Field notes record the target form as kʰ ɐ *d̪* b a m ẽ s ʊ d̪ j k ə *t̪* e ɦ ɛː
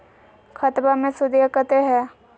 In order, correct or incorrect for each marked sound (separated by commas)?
incorrect, correct